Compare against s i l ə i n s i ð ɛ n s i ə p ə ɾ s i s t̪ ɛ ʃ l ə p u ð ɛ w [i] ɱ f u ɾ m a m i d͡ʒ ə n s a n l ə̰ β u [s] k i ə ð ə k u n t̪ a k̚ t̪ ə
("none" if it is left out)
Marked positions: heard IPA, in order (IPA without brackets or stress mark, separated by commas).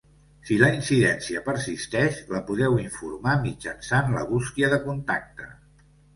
i, s